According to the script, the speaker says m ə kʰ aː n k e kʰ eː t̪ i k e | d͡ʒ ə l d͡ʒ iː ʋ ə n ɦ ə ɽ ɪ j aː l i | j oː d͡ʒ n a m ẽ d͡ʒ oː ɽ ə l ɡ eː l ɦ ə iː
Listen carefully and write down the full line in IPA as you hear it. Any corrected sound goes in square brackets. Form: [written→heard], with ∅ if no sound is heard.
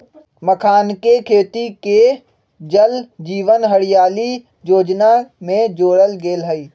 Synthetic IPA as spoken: m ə kʰ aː n k e kʰ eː t̪ i k e | d͡ʒ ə l d͡ʒ iː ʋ ə n ɦ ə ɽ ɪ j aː l i | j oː d͡ʒ n a m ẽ d͡ʒ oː ɽ ə l ɡ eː l ɦ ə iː